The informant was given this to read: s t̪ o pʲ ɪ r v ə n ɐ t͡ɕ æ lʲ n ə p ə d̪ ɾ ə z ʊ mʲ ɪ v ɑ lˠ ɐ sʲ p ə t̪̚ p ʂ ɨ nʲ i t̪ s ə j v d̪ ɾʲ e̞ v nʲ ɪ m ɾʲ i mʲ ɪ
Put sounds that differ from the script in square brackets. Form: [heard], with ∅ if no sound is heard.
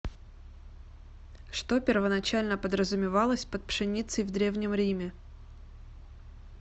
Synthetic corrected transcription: [ʂ] t̪ o pʲ ɪ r v ə n ɐ t͡ɕ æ lʲ n ə p ə d̪ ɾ ə z ʊ mʲ ɪ v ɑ lˠ [ə] sʲ p ə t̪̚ p ʂ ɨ nʲ i t̪ s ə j v d̪ ɾʲ e̞ v nʲ ɪ m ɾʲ i mʲ ɪ